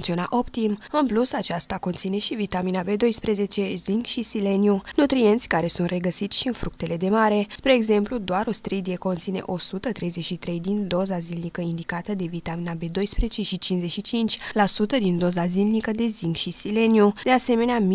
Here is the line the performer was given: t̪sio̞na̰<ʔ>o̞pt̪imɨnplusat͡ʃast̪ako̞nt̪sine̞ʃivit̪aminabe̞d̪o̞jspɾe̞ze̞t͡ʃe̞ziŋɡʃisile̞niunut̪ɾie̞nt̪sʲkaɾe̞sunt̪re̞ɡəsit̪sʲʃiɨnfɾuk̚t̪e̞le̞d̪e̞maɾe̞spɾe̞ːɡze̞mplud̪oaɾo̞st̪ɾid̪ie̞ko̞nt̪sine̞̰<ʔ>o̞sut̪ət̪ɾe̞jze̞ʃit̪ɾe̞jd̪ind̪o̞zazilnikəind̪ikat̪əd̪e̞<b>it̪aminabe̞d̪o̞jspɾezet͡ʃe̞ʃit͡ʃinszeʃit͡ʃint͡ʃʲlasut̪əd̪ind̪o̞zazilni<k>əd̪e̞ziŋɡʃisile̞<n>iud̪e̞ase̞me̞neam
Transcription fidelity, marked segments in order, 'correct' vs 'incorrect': correct, correct, incorrect: v, correct, correct

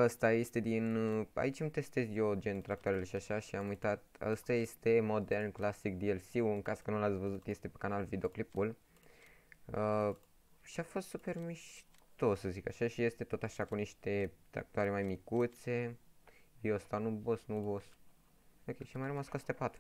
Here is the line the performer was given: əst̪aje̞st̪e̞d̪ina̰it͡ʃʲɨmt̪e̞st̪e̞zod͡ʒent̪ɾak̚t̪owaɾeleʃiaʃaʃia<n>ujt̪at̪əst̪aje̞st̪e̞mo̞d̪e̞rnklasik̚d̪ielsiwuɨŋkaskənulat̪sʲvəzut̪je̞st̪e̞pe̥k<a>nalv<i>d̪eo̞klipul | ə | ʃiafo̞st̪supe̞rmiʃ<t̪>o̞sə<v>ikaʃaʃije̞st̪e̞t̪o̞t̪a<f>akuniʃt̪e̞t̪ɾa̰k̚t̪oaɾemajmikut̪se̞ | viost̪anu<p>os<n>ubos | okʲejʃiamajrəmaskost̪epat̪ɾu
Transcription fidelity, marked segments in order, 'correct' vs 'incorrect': incorrect: m, correct, correct, correct, incorrect: z, incorrect: ʃ, incorrect: b, correct

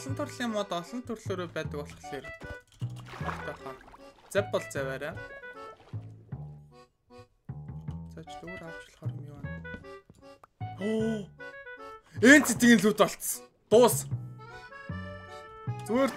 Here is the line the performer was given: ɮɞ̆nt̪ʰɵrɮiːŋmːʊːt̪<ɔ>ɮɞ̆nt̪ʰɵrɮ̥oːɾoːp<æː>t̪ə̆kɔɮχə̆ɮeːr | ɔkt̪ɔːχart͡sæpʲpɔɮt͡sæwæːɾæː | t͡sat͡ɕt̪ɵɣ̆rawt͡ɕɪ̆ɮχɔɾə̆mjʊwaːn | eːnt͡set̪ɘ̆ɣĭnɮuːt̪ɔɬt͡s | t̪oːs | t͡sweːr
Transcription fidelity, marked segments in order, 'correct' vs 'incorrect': correct, correct

